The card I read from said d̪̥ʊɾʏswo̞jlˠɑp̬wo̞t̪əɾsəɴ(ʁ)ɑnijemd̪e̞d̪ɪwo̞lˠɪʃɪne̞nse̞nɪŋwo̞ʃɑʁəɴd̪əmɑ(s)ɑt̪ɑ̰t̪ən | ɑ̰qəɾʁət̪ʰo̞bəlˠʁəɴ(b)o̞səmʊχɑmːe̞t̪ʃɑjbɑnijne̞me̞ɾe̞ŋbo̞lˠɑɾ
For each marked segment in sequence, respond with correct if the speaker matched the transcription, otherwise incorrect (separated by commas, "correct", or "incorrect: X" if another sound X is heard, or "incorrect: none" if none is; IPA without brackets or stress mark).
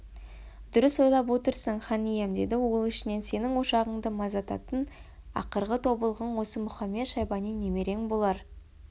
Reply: incorrect: χ, incorrect: z, incorrect: w